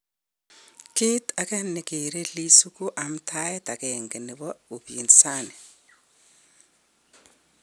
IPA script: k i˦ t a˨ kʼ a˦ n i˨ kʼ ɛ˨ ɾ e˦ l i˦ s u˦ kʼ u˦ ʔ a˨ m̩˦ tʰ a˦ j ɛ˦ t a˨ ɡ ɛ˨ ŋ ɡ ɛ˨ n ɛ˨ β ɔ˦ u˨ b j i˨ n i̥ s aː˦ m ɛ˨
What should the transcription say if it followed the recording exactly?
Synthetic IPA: k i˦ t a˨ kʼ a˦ n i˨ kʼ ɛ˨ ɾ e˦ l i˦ s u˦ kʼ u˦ ʔ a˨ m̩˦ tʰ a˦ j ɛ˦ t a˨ k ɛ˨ ŋ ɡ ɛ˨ n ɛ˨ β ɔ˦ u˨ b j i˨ n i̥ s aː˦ n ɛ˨